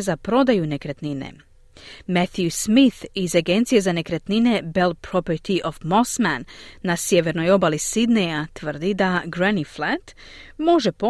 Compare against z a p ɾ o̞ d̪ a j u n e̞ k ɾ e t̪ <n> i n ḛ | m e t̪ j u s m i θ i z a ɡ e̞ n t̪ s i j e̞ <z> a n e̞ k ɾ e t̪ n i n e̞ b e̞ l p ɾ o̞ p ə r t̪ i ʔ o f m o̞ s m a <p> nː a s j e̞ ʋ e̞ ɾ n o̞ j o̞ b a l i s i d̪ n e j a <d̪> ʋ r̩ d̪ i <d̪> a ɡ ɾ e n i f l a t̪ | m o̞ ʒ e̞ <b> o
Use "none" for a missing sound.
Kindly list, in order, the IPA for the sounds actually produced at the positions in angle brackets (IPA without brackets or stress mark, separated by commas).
n, z, none, t̪, d̪, p